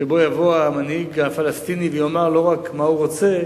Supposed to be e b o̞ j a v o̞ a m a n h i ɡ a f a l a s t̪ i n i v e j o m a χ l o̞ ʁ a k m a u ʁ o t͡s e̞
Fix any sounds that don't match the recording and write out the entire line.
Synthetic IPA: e b o̞ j a v o̞ a m a n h i ɡ a f a l a s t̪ i n i v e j o m a ʁ l o̞ ʁ a k m a u ʁ o t͡s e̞